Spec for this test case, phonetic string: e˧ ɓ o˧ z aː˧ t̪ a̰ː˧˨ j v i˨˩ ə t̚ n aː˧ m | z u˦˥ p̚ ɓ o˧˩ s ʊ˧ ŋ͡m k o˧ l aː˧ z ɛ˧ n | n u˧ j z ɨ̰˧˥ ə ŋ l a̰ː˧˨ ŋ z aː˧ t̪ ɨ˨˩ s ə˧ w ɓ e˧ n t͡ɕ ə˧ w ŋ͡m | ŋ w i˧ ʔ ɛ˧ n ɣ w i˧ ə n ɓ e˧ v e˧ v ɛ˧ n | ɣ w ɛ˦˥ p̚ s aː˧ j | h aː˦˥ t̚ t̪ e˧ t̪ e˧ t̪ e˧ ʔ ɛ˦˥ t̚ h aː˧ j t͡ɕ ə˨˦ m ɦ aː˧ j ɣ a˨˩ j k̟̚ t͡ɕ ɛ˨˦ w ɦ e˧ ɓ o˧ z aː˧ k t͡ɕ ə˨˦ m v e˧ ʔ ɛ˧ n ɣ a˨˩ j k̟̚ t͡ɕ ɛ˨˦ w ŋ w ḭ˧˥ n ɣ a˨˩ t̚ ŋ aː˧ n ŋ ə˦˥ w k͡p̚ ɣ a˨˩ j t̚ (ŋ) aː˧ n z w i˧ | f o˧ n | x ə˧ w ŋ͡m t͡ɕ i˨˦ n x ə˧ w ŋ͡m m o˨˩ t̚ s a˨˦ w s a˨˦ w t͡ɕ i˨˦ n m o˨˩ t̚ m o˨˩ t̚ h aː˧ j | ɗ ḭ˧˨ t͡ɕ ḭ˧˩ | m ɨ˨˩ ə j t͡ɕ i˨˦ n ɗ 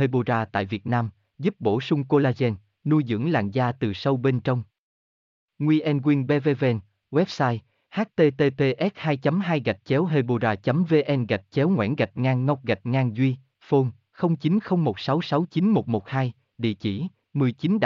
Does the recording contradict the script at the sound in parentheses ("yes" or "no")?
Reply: no